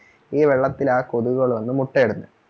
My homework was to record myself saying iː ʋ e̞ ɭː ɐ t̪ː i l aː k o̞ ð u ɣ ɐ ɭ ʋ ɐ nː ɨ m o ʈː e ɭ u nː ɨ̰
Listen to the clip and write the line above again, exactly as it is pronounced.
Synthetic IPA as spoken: iː ʋ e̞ ɭː ɐ t̪ː i l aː k o̞ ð u ɣ ɐ ɭ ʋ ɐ nː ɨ m u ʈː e ɽ u nː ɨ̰